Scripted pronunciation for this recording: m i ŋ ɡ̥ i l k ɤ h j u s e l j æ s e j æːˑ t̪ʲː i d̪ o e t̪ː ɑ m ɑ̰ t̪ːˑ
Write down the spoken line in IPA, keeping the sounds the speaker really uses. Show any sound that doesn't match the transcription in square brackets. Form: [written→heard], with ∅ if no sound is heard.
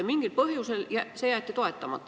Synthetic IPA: m i ŋ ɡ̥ i l [k→p] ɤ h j u s e l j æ s e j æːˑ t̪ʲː i [d̪→t̪] o e t̪ː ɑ m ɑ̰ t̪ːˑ